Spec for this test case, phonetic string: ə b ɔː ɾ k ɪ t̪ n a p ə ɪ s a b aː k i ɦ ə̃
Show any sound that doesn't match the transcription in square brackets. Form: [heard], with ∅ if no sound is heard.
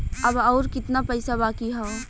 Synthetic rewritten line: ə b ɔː ɾ k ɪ t̪ n a p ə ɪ s a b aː k i ɦ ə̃